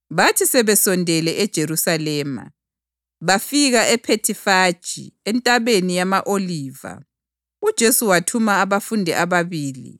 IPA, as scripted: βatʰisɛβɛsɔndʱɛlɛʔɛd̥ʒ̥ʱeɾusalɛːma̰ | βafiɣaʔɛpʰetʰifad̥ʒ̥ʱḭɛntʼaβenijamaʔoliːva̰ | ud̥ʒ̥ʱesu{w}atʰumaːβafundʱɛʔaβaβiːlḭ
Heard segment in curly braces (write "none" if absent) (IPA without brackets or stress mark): w